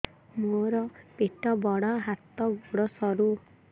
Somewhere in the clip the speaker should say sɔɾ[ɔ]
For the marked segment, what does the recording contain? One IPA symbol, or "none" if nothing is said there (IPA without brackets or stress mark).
u